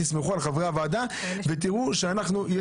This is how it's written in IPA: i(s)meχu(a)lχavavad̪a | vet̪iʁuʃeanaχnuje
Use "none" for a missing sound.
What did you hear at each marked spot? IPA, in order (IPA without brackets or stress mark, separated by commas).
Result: s, a